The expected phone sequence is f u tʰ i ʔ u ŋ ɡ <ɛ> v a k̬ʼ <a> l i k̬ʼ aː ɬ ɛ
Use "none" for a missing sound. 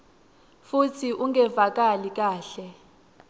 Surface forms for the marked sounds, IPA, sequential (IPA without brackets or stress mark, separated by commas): ɛ, a